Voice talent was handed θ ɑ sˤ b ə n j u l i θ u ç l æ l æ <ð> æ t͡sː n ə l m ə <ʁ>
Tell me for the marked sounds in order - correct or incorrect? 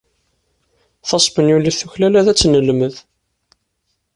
correct, incorrect: ð

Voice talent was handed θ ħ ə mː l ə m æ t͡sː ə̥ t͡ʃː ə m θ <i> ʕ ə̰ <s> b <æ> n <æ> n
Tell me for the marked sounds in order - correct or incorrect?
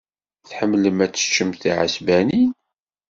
correct, correct, correct, incorrect: i

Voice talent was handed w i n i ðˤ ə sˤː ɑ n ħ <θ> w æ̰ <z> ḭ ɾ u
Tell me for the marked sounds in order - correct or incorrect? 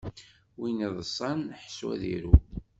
incorrect: s, incorrect: ð

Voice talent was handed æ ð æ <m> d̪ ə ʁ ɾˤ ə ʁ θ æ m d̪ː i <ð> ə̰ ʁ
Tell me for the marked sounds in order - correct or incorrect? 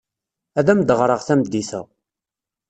correct, incorrect: θ

